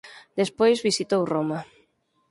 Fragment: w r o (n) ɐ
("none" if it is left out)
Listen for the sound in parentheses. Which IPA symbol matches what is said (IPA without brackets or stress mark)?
m